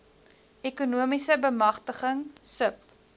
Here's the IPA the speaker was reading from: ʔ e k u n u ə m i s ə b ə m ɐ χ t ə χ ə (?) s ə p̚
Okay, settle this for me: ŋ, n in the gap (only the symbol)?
ŋ